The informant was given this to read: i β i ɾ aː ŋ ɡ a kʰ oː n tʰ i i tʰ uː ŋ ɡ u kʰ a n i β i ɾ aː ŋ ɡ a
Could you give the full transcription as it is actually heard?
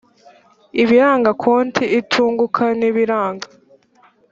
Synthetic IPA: i β i ɾ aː ŋ ɡ a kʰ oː n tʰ i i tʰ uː ŋ ɡ u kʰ a n i β i ɾ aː ŋ ɡ a

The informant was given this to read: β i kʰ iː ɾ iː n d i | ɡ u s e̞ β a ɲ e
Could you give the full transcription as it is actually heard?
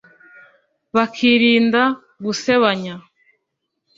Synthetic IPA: β a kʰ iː ɾ iː n d a | ɡ u s e̞ β a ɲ a

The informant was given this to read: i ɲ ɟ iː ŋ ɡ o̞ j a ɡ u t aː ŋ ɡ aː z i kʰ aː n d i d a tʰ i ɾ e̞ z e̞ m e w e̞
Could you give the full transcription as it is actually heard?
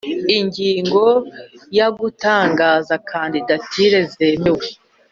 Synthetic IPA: i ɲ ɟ iː ŋ ɡ o̞ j a ɡ u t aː ŋ ɡ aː z a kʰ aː n d i d a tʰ i ɾ e̞ z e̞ m e w e̞

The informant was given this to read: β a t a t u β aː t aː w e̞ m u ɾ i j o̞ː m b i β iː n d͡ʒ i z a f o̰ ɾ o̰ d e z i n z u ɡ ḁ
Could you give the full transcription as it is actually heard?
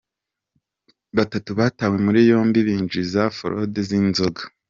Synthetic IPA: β a t a t u β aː t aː w e̞ m u ɾ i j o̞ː m b i β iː n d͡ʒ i z a f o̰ ɾ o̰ d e z i n z o ɡ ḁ

